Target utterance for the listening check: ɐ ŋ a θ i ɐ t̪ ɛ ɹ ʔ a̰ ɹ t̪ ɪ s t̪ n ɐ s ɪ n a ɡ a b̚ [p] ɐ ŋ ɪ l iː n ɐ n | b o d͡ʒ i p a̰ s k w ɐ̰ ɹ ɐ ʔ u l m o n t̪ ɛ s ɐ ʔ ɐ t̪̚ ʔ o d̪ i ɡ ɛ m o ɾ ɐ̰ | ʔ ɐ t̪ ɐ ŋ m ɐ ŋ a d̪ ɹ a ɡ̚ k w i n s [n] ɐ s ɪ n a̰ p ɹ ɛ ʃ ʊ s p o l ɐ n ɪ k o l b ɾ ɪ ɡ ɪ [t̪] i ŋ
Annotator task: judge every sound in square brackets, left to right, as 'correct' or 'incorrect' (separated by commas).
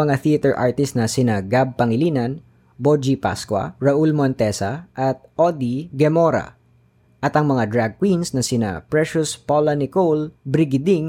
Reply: correct, correct, incorrect